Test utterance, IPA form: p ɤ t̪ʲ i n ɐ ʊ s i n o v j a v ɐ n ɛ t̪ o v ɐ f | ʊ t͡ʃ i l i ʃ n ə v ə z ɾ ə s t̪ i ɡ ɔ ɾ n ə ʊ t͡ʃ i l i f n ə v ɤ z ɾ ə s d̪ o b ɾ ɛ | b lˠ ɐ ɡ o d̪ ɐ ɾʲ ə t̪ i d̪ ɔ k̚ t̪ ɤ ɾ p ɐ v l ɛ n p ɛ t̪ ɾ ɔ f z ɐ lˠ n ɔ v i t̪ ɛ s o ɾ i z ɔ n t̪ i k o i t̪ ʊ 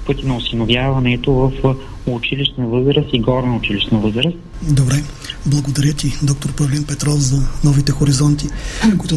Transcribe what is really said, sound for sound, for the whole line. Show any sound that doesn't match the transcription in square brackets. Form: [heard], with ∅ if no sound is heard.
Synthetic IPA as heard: p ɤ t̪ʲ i n ɐ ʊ s i n o v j a v ɐ n ɛ t̪ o v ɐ f | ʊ t͡ʃ i l i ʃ n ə v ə z ɾ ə s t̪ i ɡ ɔ ɾ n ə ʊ t͡ʃ i l i [ʃ] n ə v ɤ z ɾ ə s d̪ o b ɾ ɛ | b lˠ ɐ ɡ o d̪ ɐ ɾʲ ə t̪ i d̪ ɔ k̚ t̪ [o] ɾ p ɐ v l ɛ n p ɛ t̪ ɾ ɔ f z ɐ [∅] n ɔ v i t̪ ɛ [x] o ɾ i z ɔ n t̪ i k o i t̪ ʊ